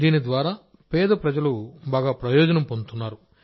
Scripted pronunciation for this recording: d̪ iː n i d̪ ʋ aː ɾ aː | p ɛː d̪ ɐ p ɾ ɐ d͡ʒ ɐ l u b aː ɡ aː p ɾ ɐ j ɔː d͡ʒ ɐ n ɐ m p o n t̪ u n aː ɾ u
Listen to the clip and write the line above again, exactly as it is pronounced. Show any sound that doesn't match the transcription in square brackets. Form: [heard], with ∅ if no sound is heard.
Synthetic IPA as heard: d̪ iː n i d̪ ʋ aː ɾ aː | p ɛː d̪ ɐ p ɾ ɐ d͡ʒ ɐ l u b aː ɡ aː p ɾ ɐ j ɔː d͡ʒ ɐ n ɐ m p o n t̪ u [nː] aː ɾ u